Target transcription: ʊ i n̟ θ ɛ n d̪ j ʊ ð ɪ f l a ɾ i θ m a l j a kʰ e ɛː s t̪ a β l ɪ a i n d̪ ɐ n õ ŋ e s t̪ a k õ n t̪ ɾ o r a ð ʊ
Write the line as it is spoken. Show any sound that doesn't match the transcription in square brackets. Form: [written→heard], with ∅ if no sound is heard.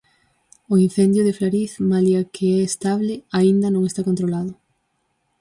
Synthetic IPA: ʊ i n̟ θ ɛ n d̪ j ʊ ð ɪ f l a ɾ i θ m a l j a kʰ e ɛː s t̪ a β l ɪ a i n d̪ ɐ n õ ŋ e s t̪ a k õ n t̪ ɾ o [r→l] a ð ʊ

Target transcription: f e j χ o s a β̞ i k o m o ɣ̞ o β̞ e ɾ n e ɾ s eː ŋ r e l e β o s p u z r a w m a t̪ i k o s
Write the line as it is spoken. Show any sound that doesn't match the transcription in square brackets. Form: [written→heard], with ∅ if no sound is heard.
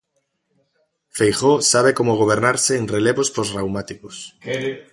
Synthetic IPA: f e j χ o s a β̞ [i→e] k o m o ɣ̞ o β̞ e ɾ n [e→a] ɾ s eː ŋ r e l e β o s p [u→o] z r a w m a t̪ i k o s

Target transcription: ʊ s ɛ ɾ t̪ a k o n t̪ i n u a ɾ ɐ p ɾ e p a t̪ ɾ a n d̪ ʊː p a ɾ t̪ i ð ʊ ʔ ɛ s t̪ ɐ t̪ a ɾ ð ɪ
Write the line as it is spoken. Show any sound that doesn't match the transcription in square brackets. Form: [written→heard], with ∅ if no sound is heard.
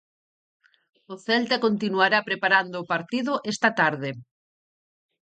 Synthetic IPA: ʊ [s→θ] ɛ [ɾ→l] t̪ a k o n t̪ i n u a ɾ [ɐ→a] p ɾ e p a [t̪→∅] ɾ a n d̪ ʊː p a ɾ t̪ i ð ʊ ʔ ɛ s t̪ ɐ t̪ a ɾ ð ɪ

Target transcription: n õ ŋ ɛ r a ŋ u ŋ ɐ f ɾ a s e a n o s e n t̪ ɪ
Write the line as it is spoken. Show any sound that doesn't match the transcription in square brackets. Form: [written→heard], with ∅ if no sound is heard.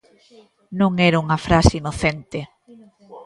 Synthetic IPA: n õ ŋ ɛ [r→ɾ] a [ŋ→∅] u ŋ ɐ f ɾ a s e [a→i] n o [s→θ] e n t̪ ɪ

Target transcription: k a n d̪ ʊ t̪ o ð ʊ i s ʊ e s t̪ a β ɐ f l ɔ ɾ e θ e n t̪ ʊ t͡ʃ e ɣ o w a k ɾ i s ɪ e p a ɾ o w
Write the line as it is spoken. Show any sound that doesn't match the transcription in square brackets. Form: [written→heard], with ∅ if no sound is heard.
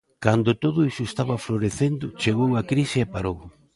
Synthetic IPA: k a n d̪ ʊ t̪ o ð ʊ i s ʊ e s t̪ a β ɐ f l [ɔ→o] ɾ e θ e n [t̪→d̪] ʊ t͡ʃ e ɣ o w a k ɾ i s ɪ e p a ɾ o w

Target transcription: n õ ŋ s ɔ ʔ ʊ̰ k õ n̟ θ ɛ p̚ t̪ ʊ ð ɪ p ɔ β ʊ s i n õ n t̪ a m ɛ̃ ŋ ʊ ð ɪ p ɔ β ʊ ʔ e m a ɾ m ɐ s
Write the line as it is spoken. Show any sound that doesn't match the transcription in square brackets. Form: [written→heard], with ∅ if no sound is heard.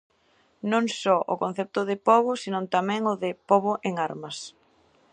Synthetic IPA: n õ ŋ s ɔ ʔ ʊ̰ k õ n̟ θ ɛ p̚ t̪ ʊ ð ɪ p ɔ β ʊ s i n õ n t̪ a m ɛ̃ ŋ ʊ ð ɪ p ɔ β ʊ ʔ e [m→ŋ] a ɾ m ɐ s

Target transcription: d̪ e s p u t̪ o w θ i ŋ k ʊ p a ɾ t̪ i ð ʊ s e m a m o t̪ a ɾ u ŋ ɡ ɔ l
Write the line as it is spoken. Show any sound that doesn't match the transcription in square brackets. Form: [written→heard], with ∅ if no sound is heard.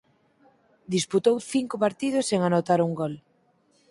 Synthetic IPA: d̪ [e→i] s p u t̪ o w θ i ŋ k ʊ p a ɾ t̪ i ð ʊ s e [m→ŋ] a [m→n] o t̪ a ɾ u ŋ ɡ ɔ l

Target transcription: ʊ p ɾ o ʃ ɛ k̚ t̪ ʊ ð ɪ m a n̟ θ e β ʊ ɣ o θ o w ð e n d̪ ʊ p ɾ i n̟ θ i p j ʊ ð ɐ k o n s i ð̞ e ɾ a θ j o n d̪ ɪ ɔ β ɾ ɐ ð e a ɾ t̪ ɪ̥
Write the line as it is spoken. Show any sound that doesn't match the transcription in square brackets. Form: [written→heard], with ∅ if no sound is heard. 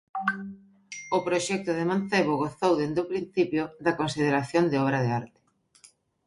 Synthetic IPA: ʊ p ɾ o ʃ ɛ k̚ t̪ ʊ ð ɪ m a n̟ θ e β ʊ ɣ o θ o w ð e n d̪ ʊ p ɾ i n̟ θ i p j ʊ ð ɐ k o n s i ð̞ e ɾ a θ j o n d̪ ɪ ɔ β ɾ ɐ ð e a ɾ t̪ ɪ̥

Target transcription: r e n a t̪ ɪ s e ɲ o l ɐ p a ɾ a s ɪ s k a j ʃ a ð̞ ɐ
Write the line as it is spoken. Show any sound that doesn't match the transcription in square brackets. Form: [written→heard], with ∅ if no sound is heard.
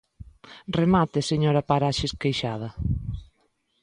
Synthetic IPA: r e [n→m] a t̪ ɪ s e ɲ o [l→ɾ] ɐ p a ɾ a [s→ʃ] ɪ s k [a→e] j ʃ a ð̞ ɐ

